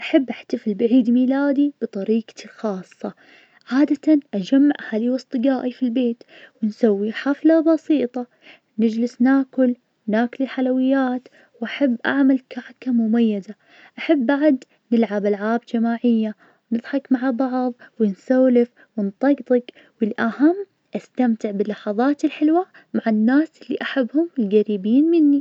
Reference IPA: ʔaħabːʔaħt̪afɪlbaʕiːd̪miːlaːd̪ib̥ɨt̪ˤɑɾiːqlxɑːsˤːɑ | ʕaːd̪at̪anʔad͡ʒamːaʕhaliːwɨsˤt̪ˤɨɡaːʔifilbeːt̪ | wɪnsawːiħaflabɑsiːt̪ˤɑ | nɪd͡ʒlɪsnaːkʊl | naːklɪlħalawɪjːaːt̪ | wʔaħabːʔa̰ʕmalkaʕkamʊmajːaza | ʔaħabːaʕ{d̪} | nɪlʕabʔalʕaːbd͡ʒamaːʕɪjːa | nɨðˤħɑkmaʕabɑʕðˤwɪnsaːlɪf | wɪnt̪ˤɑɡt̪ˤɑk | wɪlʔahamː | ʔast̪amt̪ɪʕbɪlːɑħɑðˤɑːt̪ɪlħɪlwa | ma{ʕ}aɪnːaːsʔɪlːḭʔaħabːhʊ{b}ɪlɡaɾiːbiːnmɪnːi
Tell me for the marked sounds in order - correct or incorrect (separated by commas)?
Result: correct, correct, incorrect